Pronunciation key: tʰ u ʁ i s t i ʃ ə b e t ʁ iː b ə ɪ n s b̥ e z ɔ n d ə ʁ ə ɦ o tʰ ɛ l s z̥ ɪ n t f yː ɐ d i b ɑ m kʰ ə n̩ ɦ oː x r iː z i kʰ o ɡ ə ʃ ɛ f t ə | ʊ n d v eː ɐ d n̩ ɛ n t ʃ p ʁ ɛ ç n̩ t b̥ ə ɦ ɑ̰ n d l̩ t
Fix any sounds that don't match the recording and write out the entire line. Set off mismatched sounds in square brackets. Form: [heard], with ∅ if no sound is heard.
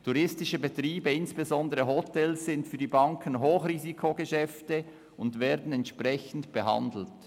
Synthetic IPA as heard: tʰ u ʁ [ɪ] s t [ɪ] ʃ ə b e t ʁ iː b ə ɪ n s b̥ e z ɔ n d ə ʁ ə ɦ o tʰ ɛ l s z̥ ɪ n t f yː ɐ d i b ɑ [ŋ] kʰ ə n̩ ɦ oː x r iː z i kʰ o ɡ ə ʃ ɛ f t ə | ʊ n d v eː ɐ d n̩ ɛ n t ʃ p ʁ ɛ ç n̩ t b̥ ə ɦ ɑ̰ n d l̩ t

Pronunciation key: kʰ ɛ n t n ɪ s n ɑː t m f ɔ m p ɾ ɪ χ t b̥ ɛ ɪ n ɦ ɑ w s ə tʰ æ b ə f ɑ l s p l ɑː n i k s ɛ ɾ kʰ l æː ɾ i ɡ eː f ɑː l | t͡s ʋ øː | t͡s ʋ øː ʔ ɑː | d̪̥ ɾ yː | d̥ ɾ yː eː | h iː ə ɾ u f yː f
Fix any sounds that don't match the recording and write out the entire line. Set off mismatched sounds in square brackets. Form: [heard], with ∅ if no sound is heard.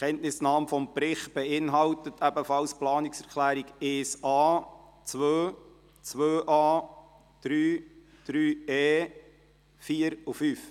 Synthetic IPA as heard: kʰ ɛ n t n ɪ s n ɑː [∅] m f ɔ m p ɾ ɪ χ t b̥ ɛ ɪ n ɦ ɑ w [t] ə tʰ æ b ə f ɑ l s p l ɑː n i k s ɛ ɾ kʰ l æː ɾ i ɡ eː [s] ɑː [∅] | t͡s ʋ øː | t͡s ʋ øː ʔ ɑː | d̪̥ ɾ yː | d̥ ɾ yː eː | [f] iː ə ɾ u f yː f

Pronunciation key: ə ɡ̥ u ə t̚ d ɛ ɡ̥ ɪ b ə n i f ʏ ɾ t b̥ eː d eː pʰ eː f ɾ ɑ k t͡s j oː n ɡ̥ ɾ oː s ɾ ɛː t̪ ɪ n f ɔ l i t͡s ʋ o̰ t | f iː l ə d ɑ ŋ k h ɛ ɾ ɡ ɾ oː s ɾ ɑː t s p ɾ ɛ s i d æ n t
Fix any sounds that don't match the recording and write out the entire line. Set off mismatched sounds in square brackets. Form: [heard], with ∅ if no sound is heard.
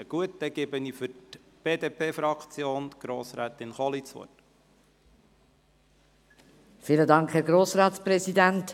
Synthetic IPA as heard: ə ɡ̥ u ə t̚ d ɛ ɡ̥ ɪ b ə n i f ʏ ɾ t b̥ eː d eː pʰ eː f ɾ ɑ k t͡s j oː n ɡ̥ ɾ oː s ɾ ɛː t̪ ɪ n [χ] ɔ l i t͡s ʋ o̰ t | f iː l ə d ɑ ŋ k h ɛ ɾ ɡ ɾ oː s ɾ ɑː t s p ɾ ɛ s i d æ n t

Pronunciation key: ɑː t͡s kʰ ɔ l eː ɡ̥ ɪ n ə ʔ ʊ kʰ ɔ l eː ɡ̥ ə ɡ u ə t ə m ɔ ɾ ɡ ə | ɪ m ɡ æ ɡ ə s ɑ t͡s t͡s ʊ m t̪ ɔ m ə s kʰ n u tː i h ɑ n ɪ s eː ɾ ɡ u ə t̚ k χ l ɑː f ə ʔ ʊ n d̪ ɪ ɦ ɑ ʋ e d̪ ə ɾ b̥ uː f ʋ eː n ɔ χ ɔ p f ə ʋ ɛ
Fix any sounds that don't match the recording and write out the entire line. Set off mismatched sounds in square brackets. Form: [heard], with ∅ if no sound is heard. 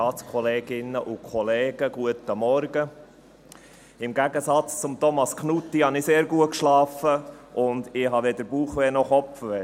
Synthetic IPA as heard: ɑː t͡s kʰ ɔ l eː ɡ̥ ɪ n ə ʔ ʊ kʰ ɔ l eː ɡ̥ ə ɡ u ə t ə m ɔ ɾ ɡ ə | ɪ m ɡ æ ɡ ə s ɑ t͡s t͡s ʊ m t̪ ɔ m [ɑ] s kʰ n u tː i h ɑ n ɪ s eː ɾ ɡ u ə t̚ k [ʃ] l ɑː f ə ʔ ʊ n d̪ ɪ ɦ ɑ ʋ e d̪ ə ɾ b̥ uː [χ] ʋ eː n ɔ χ ɔ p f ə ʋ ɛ

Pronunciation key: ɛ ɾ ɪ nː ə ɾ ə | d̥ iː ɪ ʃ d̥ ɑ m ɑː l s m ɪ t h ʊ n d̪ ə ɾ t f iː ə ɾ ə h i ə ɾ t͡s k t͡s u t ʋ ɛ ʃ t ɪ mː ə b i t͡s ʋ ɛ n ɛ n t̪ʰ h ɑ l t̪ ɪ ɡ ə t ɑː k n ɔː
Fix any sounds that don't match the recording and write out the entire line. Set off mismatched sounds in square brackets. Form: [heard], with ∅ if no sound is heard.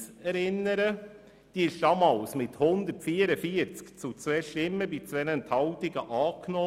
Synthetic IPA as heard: ɛ ɾ ɪ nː ə ɾ ə | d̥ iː ɪ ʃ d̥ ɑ m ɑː l s m ɪ t h ʊ n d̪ ə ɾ t f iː ə ɾ ə [f] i ə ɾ t͡s k t͡s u [t͡s] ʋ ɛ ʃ t ɪ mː ə b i t͡s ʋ ɛ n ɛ n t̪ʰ h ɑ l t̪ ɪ ɡ ə [ʔ] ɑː k n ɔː

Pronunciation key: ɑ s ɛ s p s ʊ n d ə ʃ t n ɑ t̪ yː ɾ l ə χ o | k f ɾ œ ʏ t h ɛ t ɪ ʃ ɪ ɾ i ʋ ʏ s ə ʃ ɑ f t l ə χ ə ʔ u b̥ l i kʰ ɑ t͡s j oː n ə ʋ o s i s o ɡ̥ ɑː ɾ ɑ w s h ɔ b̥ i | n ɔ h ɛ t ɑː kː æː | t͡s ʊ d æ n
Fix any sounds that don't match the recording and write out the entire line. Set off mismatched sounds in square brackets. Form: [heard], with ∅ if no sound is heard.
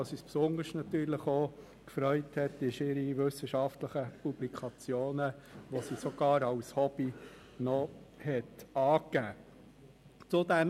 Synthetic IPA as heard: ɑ s [i] s p s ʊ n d ə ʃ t n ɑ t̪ yː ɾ l ə χ o | k f ɾ œ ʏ t h ɛ t ɪ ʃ ɪ ɾ i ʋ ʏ s ə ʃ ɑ f t l ə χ ə [p] u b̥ l i kʰ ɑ t͡s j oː n ə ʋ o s i s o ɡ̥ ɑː ɾ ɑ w s h ɔ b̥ i | n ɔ h ɛ t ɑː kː æː | t͡s ʊ d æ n

